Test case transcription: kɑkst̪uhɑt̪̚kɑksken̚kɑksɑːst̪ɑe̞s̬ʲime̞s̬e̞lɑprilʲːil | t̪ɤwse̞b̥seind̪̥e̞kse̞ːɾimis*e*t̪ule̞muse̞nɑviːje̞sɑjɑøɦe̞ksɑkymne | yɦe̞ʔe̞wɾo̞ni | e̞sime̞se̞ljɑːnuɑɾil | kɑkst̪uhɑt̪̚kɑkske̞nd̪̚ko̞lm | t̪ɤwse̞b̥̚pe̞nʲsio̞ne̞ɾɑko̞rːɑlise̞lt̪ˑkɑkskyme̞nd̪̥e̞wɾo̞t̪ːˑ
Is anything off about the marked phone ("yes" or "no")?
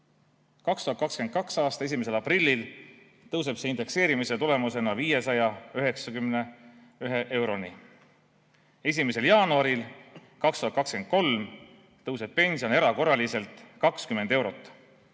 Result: no